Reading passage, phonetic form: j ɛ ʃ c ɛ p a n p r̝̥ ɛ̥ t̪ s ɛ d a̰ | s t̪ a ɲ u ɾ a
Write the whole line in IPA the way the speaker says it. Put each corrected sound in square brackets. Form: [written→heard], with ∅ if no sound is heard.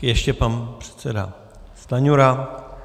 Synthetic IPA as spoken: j ɛ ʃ c ɛ p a n p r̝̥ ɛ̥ t̪ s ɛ d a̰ | s t̪ a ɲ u ɾ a